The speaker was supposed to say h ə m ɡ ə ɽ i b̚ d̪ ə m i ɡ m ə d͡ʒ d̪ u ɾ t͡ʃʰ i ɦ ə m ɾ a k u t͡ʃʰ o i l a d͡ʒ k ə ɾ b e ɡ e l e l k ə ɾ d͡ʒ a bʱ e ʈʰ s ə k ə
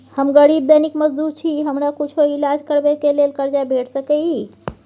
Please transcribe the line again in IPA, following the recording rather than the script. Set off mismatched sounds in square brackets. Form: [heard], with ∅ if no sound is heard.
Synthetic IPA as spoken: h ə m ɡ ə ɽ i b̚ d̪ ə [n] i [k] m ə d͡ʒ d̪ u ɾ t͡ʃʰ i ɦ ə m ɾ a k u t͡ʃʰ o i l a d͡ʒ k ə ɾ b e [k] e l e l k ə ɾ d͡ʒ a bʱ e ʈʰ s ə k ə